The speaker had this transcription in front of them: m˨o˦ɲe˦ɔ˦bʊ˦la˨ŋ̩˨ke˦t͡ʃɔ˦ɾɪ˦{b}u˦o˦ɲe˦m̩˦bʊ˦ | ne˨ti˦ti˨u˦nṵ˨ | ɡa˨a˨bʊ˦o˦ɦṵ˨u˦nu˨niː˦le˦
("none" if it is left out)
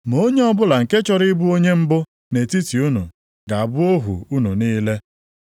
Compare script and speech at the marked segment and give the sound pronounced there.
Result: b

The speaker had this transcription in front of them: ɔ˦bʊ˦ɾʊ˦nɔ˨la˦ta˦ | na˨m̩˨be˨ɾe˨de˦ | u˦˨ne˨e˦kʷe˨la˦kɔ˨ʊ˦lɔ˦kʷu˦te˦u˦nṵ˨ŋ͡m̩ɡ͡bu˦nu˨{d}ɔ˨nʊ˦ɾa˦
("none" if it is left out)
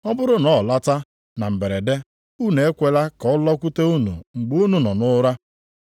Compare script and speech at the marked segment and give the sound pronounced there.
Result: n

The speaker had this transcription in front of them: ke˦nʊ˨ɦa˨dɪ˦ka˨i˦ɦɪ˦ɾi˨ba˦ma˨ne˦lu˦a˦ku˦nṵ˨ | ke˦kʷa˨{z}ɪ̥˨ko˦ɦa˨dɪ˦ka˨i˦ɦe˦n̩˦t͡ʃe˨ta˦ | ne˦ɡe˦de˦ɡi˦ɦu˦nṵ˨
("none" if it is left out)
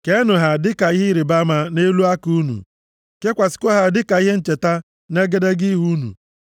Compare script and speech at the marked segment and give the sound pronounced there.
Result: s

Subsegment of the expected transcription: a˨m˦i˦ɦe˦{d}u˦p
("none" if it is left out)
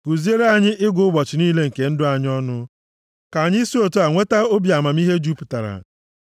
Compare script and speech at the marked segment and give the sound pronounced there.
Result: d͡ʒ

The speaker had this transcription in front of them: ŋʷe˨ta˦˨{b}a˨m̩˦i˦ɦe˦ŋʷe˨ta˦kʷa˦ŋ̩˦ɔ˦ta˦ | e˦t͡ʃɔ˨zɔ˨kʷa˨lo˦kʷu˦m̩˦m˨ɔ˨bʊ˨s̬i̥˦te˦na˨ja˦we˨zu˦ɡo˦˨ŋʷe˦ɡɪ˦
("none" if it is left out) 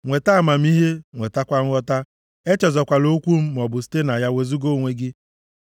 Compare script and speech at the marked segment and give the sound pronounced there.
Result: m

